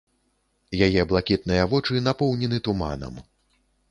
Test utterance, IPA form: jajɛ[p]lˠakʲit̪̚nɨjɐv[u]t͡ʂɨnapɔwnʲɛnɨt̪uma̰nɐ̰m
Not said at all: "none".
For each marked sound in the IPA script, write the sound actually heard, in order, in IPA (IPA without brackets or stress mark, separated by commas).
b, ɔ